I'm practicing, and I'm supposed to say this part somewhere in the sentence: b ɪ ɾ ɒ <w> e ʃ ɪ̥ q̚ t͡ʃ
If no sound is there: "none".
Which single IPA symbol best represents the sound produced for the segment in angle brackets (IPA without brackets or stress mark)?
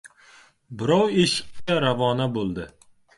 w